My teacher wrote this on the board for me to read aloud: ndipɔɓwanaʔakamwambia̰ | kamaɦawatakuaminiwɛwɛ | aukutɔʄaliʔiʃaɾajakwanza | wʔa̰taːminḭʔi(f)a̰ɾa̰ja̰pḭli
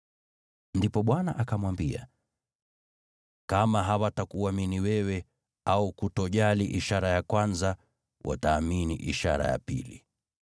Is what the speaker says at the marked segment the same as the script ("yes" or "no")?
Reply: no